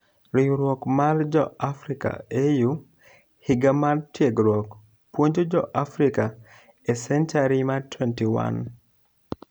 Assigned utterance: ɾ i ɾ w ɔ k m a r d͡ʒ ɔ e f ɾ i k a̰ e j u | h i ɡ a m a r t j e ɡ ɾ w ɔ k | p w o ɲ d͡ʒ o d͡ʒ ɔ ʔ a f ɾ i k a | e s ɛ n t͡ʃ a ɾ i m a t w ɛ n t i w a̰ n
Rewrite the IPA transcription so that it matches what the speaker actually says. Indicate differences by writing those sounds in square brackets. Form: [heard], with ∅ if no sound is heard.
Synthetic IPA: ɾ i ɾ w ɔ k m a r d͡ʒ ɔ [a] f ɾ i k a̰ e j u | h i ɡ a m a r t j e ɡ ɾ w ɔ k | p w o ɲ d͡ʒ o d͡ʒ ɔ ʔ a f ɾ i k a | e s ɛ n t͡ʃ a ɾ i m a t w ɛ n t i w a̰ n